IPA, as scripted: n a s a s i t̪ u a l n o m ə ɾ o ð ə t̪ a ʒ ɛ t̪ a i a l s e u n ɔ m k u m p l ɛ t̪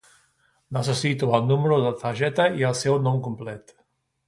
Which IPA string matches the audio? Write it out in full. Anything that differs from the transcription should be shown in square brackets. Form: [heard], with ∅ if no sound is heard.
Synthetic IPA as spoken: n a s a s i t̪ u a l n [u] m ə ɾ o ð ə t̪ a ʒ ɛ t̪ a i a l s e [w] n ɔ m k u m p l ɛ t̪